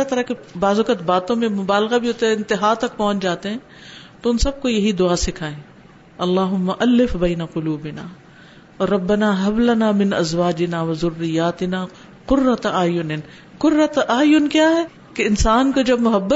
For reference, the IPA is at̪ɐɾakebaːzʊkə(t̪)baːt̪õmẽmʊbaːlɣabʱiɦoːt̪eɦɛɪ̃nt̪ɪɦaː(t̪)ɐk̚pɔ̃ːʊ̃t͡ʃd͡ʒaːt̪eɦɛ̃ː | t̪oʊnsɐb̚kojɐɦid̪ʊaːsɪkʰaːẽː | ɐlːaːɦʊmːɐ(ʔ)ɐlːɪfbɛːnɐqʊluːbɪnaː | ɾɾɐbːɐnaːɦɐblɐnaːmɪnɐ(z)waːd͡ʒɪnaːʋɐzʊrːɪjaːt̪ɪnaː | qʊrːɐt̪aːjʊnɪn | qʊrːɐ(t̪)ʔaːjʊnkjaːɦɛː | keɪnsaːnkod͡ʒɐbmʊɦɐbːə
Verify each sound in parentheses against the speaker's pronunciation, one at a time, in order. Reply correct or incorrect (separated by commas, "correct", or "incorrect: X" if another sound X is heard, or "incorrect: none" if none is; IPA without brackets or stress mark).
correct, correct, correct, correct, correct